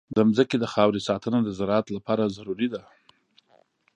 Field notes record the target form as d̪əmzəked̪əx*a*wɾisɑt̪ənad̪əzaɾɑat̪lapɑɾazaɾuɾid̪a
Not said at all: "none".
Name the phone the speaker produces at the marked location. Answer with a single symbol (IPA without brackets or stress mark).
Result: ɑ